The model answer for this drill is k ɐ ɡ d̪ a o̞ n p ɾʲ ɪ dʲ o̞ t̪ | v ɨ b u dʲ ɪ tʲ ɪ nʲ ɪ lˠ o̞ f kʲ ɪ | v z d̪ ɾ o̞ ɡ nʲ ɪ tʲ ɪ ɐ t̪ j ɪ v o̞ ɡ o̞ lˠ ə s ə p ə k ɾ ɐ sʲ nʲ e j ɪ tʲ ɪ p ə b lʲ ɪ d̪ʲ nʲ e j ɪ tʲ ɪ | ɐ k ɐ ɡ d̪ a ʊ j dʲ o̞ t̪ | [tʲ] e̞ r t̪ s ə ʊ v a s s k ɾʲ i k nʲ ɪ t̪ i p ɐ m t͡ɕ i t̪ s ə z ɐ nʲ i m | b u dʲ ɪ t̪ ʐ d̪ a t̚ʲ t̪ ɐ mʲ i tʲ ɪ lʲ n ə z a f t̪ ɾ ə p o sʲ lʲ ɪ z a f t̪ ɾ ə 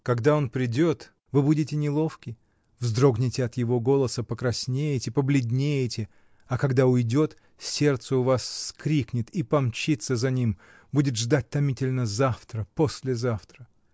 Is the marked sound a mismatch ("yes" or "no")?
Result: yes